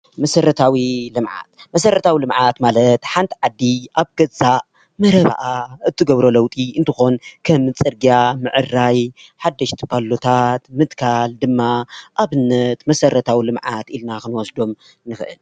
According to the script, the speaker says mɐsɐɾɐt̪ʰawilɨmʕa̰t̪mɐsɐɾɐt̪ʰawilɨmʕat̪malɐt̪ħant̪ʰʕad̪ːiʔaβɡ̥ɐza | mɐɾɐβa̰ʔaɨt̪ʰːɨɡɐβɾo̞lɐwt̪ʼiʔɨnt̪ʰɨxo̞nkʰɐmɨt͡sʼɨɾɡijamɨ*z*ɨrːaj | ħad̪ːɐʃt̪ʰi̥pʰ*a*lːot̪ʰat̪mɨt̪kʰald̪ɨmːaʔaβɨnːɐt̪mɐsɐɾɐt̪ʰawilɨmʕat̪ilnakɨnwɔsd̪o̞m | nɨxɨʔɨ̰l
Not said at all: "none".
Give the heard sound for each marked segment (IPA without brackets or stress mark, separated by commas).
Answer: ʕ, a